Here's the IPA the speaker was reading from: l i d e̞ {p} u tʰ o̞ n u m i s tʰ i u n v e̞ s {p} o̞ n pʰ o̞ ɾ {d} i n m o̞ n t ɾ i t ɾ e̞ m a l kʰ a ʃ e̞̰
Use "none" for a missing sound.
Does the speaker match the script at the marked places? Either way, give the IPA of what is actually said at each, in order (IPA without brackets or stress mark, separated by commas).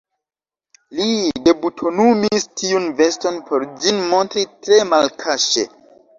b, t, d͡ʒ